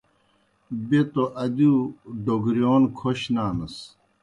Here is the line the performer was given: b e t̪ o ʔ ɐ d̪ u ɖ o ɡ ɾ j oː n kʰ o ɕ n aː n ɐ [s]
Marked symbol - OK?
yes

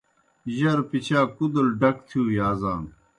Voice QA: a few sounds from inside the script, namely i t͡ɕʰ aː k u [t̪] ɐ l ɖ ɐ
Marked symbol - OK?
no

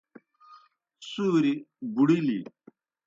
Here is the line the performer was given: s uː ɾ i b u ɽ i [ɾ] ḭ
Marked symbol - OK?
no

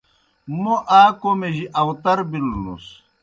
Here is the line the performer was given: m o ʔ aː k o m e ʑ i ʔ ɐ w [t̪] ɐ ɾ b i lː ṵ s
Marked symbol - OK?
yes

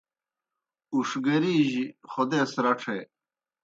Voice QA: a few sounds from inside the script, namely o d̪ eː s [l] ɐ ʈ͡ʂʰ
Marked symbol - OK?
no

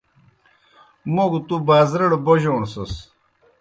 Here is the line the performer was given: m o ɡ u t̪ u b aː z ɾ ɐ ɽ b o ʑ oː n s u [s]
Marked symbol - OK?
yes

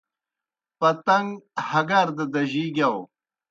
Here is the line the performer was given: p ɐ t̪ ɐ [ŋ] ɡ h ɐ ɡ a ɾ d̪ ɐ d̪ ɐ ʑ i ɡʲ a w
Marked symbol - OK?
yes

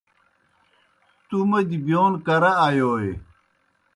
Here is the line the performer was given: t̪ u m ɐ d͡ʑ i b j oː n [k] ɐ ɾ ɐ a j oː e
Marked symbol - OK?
yes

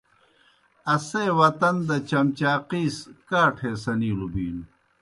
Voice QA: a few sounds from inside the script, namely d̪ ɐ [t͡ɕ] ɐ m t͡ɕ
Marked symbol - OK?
yes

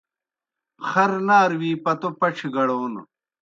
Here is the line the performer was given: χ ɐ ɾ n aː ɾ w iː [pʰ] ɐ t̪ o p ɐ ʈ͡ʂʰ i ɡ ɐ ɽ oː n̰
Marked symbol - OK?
no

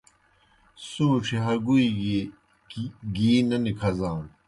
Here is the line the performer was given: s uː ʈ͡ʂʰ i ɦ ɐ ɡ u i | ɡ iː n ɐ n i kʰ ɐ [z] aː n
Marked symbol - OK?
yes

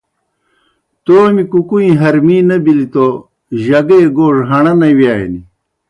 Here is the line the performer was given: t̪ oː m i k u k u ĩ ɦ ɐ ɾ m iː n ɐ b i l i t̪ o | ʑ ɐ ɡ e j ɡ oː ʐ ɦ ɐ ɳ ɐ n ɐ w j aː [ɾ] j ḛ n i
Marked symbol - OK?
no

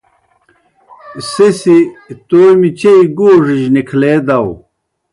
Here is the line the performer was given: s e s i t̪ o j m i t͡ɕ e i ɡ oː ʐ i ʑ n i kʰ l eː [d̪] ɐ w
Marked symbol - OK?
yes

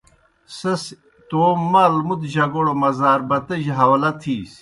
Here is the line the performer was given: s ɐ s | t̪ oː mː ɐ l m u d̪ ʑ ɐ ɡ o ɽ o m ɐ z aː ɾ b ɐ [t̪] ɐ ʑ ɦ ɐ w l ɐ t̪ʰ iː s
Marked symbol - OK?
yes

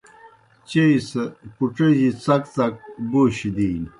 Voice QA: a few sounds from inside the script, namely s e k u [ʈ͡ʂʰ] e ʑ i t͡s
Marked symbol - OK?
no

